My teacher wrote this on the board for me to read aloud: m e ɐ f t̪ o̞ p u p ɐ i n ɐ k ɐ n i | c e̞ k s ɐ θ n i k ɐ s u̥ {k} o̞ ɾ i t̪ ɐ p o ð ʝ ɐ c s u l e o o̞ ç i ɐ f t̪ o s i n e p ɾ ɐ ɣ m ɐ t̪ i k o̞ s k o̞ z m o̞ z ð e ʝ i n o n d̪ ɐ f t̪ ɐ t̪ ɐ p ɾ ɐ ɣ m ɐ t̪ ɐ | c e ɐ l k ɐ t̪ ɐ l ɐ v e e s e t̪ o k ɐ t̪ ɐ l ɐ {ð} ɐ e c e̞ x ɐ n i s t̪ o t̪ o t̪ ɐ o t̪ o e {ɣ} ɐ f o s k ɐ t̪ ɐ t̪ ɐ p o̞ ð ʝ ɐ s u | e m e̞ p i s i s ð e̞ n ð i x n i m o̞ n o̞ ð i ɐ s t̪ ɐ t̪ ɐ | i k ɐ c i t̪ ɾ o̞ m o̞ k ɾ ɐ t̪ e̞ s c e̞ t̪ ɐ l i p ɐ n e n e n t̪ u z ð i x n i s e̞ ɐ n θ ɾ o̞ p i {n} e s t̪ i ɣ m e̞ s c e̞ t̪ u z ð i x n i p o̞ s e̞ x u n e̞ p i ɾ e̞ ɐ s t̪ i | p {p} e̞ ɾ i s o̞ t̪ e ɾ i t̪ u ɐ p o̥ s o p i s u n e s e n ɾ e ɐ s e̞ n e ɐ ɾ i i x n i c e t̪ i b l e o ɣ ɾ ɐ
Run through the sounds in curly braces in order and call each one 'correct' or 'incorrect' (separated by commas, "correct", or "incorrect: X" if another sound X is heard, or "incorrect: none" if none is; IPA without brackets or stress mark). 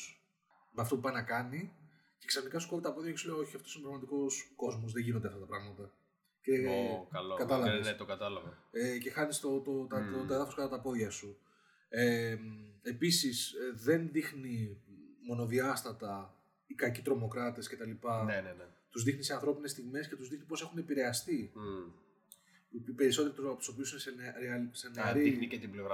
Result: correct, incorrect: v, incorrect: ð, correct, correct